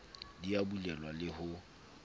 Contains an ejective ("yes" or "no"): no